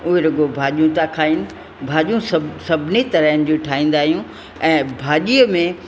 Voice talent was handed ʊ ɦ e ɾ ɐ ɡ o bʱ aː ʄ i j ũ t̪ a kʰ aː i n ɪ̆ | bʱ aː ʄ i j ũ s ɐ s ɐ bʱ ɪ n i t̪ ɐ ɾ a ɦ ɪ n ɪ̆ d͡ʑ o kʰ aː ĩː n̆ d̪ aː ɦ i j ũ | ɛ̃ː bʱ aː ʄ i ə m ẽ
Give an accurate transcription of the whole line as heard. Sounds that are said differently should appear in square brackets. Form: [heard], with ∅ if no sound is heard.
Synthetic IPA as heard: ʊ ɦ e ɾ ɐ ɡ o bʱ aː ʄ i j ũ t̪ a kʰ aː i n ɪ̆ | bʱ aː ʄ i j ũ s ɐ s ɐ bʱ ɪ n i t̪ ɐ ɾ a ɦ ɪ n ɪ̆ d͡ʑ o [ʈʰ] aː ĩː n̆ d̪ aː ɦ i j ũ | ɛ̃ː bʱ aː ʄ i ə m ẽ